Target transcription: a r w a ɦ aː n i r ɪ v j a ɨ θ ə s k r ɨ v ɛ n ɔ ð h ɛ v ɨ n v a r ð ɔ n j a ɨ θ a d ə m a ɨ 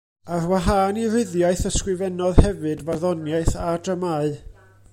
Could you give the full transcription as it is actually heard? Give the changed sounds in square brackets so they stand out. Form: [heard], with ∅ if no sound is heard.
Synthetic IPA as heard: a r w a ɦ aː n i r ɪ [ð] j a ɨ θ ə s k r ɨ v ɛ n ɔ ð h ɛ v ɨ [d] v a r ð ɔ n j a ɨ θ a d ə m a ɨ